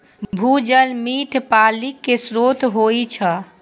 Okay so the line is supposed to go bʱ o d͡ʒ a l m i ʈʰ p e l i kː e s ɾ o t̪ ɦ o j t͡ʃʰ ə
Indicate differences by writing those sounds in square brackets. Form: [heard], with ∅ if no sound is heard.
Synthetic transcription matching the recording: bʱ [u] d͡ʒ [ə] l m i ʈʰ p [a] l i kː e s ɾ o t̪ ɦ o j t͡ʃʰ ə